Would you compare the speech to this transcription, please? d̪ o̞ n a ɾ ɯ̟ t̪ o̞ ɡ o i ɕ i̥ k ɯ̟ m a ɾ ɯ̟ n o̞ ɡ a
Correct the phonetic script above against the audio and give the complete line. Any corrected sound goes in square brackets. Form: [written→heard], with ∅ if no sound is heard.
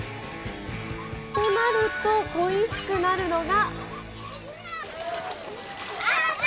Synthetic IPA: [d̪→t̪] o̞ n a ɾ ɯ̟ t̪ o̞ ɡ o i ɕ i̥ k ɯ̟ [m→n] a ɾ ɯ̟ n o̞ ɡ a